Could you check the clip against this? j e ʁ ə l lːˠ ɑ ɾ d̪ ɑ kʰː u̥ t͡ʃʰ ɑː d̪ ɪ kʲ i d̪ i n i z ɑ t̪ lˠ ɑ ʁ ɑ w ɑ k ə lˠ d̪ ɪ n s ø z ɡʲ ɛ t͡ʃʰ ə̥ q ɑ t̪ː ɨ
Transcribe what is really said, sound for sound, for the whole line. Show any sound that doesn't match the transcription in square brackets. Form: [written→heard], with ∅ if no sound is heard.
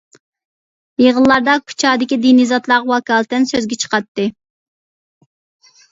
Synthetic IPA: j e ʁ ə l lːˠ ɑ ɾ d̪ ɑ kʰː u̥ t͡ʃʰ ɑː d̪ ɪ kʲ i d̪ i n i z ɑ t̪ lˠ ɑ ʁ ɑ w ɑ k [ə→ɑ] lˠ [d̪→t̪] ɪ n s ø z ɡʲ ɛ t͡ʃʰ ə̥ q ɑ t̪ː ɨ